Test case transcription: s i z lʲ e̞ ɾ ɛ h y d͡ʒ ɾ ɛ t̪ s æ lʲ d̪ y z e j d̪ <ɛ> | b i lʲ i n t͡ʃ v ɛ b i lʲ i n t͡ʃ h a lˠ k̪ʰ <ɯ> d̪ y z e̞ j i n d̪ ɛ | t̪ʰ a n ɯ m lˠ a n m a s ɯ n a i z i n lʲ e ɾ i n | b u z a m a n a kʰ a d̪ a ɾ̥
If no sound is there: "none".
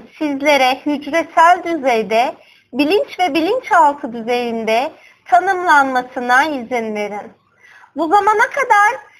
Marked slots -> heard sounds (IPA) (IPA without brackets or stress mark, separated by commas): ɛ, ɯ